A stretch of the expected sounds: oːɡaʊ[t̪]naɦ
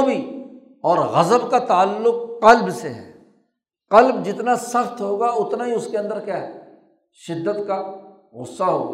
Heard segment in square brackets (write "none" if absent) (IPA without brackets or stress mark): t̪